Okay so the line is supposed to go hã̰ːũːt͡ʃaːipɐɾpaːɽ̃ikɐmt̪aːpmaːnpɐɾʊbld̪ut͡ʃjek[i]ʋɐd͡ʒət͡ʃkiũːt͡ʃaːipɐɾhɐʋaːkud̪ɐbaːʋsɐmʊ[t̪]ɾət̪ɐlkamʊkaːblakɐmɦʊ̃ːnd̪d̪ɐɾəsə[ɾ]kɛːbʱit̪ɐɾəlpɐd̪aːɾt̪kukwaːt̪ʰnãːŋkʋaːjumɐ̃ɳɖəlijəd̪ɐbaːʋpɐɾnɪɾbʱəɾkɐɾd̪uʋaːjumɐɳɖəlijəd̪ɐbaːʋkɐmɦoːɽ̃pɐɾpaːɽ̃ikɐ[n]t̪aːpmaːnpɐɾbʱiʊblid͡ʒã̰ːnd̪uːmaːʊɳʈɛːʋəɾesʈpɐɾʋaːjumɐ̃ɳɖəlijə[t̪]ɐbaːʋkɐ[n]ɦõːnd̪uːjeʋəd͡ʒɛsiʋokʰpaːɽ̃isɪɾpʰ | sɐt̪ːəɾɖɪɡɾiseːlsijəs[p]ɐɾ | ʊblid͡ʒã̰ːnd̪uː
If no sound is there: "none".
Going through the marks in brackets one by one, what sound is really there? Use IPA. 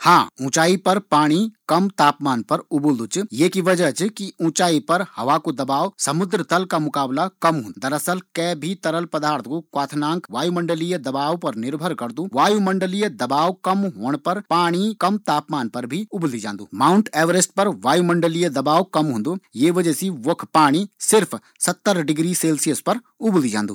i, d̪, l, m, d̪, m, p

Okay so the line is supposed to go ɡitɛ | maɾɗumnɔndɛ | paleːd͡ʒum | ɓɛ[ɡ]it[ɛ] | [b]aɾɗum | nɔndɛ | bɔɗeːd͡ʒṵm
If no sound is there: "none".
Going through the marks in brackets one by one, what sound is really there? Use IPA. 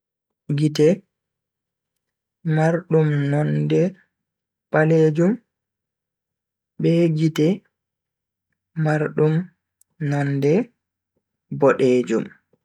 ɡ, ɛ, m

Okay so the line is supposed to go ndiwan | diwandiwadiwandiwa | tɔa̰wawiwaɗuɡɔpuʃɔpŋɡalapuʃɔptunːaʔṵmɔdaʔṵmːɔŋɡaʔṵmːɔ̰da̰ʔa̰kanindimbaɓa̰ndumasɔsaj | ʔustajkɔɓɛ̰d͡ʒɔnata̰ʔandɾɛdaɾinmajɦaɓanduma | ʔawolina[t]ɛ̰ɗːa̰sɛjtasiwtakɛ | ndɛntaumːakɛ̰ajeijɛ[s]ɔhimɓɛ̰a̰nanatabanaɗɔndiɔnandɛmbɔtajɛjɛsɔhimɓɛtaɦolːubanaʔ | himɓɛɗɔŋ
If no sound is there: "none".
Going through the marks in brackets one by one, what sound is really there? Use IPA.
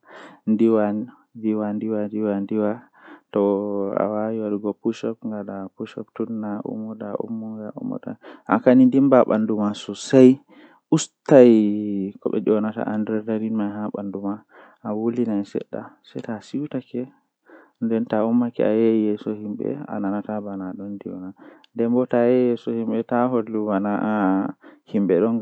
s, s

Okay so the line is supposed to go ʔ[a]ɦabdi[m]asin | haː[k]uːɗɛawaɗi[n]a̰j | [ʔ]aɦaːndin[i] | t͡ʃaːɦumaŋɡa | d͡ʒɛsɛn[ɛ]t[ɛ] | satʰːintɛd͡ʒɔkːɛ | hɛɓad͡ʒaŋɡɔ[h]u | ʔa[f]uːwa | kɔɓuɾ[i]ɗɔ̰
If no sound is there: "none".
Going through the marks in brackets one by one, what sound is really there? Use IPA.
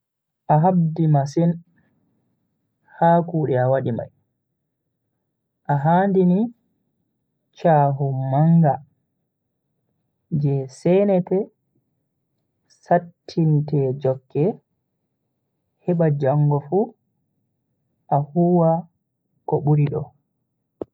a, m, k, m, ʔ, i, ɛ, ɛ, f, h, i

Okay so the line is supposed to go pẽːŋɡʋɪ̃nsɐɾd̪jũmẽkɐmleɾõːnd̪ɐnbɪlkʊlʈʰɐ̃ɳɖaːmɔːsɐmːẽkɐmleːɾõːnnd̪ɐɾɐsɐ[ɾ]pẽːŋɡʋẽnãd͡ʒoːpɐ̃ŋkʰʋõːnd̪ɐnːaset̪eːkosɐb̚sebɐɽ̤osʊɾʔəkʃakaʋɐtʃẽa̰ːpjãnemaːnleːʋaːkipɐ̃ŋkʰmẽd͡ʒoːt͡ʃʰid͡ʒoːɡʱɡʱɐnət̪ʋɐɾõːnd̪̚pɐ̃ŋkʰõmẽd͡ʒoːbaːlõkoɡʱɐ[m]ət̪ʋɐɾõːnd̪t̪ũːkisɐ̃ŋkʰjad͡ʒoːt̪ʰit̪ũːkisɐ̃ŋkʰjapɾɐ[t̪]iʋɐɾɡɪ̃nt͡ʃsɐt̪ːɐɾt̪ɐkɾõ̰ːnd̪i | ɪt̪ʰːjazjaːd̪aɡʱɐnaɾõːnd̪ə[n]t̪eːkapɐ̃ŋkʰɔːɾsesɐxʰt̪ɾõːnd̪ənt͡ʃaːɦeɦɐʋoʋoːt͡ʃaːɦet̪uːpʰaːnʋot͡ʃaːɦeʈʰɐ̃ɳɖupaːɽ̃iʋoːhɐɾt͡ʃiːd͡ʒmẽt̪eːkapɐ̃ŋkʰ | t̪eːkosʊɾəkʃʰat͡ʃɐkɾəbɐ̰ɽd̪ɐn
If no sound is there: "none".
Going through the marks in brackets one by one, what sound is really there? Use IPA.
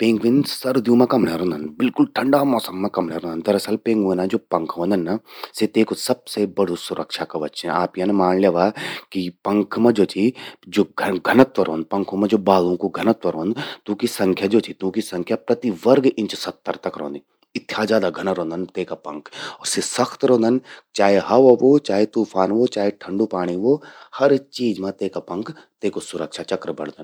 l, n, t̪, n

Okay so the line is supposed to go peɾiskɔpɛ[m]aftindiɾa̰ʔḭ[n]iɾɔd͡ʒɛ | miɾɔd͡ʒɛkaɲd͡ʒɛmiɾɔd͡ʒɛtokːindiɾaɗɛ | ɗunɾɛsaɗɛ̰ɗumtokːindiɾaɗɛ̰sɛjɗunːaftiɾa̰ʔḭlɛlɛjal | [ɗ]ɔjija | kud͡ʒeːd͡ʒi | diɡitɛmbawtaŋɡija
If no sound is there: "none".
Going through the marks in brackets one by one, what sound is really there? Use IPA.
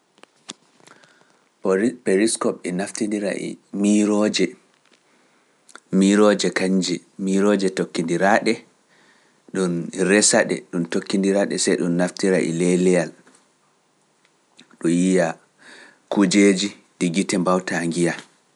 n, m, ɗ

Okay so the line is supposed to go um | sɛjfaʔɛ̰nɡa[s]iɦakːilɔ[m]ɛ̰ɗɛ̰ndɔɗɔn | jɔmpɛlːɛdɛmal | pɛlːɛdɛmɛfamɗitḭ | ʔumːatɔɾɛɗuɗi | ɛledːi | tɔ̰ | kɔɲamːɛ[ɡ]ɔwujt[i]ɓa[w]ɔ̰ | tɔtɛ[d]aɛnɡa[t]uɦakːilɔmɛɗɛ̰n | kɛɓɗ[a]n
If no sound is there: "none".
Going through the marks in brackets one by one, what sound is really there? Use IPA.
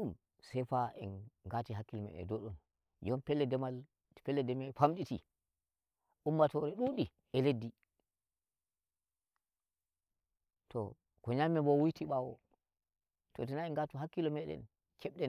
t, m, b, i, w, n, t, ɛ

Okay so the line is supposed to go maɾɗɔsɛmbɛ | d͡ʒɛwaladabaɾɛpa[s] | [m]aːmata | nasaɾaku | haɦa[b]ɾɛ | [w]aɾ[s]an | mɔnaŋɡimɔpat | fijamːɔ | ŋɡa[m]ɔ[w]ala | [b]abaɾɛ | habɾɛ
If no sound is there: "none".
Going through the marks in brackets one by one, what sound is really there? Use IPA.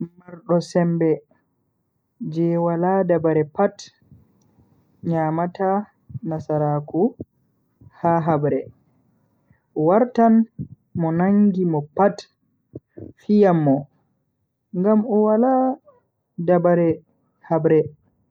t, ɲ, b, w, t, m, w, d

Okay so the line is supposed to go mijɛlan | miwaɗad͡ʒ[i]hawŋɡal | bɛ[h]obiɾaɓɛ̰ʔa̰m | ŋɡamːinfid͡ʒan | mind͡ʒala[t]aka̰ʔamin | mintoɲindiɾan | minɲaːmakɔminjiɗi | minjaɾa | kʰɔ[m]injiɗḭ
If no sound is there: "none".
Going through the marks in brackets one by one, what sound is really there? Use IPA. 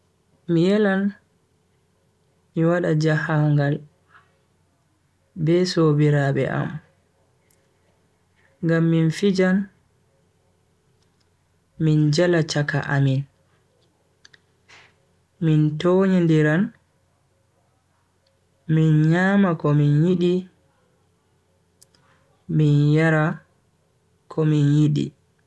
a, s, t͡ʃ, m

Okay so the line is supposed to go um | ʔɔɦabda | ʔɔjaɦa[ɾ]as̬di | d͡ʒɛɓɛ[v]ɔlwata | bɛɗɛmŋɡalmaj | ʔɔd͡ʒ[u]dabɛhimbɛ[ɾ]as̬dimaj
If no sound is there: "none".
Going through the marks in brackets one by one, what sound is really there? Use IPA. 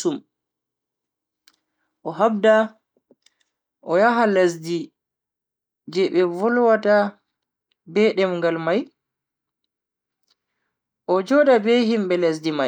l, v, ɔ, l

